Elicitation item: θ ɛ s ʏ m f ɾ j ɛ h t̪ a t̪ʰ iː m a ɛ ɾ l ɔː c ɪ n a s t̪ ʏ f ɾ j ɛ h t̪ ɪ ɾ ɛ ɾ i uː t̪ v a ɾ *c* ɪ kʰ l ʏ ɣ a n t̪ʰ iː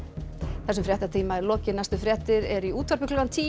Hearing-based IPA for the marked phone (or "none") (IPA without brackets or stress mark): p